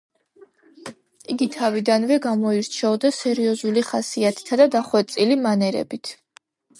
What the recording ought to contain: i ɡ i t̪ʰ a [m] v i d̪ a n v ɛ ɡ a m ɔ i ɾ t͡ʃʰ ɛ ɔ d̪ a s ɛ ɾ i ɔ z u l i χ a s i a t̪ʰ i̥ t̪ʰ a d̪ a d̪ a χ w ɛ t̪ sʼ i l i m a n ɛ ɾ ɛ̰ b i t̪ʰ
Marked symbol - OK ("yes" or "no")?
no